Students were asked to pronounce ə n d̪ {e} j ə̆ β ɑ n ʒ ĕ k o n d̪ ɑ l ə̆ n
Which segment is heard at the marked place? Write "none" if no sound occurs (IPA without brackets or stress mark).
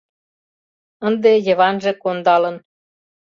e